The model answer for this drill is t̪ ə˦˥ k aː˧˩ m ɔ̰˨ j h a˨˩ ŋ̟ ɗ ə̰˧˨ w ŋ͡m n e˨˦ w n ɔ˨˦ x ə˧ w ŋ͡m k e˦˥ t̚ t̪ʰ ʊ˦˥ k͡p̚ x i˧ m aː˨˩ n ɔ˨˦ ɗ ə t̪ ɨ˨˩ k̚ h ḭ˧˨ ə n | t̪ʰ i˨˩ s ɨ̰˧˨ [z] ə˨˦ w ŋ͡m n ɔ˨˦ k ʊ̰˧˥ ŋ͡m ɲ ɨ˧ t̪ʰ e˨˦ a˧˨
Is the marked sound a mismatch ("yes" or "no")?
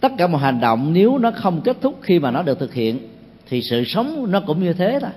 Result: yes